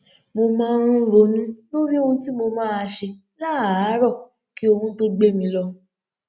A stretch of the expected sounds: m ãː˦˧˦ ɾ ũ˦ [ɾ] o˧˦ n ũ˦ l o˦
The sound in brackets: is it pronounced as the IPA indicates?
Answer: yes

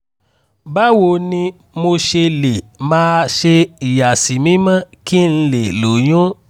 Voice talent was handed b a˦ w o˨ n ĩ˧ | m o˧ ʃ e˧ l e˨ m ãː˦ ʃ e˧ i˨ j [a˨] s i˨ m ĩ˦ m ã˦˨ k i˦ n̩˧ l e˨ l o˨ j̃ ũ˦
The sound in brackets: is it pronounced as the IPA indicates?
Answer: yes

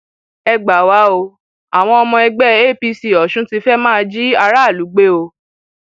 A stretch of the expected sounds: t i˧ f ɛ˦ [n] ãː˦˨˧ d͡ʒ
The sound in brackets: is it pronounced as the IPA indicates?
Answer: no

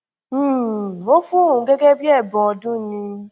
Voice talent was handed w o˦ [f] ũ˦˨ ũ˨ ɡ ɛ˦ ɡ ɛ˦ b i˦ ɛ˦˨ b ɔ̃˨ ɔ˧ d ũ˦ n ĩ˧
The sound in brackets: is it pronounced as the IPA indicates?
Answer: yes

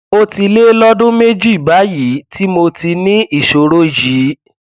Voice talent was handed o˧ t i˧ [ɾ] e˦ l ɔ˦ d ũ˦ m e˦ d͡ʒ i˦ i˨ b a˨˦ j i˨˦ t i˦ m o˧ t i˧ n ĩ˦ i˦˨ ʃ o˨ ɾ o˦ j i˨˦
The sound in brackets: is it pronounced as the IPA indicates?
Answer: no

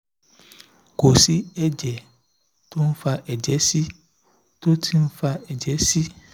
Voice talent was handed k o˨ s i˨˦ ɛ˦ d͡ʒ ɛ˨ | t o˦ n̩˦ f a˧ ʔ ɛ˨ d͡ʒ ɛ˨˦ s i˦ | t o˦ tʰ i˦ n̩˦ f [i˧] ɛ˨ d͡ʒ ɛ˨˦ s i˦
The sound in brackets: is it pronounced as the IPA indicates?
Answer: no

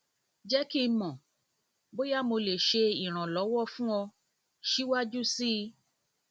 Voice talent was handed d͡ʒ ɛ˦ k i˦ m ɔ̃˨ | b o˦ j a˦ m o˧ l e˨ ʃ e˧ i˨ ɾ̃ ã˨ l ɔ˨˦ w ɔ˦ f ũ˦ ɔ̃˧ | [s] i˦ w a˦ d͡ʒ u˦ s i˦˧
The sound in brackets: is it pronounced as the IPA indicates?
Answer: no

